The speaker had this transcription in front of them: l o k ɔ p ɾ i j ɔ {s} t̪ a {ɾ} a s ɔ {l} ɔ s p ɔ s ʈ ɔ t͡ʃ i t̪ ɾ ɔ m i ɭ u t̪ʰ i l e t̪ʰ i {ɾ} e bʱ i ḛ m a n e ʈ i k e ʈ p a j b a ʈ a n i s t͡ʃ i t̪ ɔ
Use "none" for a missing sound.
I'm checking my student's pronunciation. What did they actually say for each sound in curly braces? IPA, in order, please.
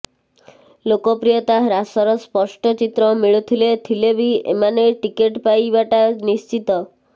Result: none, ɾ, ɾ, l

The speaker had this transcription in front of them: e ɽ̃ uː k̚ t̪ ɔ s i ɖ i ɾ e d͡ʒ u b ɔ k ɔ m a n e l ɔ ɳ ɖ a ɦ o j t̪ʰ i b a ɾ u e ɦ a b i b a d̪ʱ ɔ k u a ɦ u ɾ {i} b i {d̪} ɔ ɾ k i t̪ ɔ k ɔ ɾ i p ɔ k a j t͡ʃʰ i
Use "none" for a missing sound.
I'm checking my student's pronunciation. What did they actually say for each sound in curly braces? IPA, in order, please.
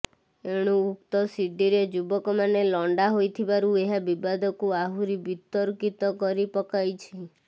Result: i, t̪

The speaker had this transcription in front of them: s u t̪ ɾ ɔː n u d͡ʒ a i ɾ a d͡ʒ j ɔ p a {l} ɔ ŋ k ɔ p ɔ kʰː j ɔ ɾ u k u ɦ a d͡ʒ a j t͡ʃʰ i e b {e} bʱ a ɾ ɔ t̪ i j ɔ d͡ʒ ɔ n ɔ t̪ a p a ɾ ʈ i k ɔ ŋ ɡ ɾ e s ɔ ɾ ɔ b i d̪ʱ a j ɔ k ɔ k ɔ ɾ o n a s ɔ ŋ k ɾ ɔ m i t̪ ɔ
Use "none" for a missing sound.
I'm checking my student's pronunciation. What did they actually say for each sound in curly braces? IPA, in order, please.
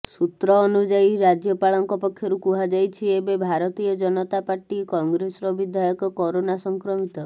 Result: ɭ, e

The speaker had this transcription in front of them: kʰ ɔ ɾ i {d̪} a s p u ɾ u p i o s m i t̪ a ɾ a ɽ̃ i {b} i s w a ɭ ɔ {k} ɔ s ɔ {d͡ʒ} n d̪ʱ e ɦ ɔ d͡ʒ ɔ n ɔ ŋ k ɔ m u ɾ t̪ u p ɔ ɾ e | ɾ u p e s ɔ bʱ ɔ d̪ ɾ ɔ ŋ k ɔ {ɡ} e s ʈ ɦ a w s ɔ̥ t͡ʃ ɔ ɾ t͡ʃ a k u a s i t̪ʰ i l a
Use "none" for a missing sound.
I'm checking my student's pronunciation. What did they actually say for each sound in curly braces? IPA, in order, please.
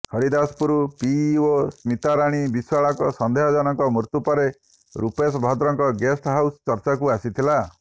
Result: d̪, b, k, none, ɡ

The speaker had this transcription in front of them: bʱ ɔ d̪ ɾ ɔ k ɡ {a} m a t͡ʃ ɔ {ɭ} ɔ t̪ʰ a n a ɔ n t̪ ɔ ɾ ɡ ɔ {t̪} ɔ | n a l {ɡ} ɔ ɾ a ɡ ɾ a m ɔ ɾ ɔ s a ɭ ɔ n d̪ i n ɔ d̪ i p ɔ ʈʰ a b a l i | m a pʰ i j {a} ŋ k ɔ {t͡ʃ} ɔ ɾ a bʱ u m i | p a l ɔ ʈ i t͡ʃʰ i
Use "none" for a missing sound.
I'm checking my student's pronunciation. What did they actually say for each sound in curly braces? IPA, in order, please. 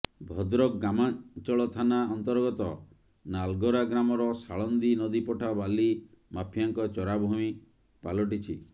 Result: a, ɭ, t̪, ɡ, a, t͡ʃ

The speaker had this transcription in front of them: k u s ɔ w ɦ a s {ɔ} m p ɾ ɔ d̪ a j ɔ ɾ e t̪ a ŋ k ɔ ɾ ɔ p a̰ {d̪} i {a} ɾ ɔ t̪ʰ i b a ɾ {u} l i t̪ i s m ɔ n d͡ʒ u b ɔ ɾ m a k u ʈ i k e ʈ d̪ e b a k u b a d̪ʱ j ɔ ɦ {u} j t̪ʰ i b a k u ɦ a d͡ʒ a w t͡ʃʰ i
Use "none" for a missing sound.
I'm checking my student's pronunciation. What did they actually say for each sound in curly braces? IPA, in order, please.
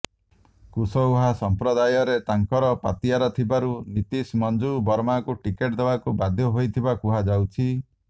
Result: ɔ, t̪, a, u, o

